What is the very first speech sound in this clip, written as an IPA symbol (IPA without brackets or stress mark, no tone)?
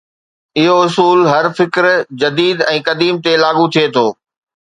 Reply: ɪ